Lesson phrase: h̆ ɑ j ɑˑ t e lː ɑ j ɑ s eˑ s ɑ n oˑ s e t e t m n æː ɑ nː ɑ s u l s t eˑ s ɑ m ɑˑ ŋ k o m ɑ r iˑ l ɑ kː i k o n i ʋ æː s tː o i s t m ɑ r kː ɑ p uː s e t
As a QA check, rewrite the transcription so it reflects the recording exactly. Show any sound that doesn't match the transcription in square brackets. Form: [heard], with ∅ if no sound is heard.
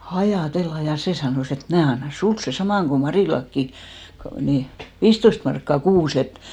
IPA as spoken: h̆ ɑ j ɑˑ t e lː ɑ j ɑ s eˑ s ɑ n oˑ s e t e t m n æː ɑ nː ɑ s u l s [s] eˑ s ɑ m ɑˑ ŋ k o m ɑ r iˑ l ɑ kː i k o n i ʋ [iː] s tː o i s t m ɑ r kː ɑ [k] uː s e t